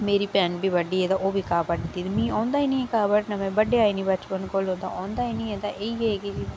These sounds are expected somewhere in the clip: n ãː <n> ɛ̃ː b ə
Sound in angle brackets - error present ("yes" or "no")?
yes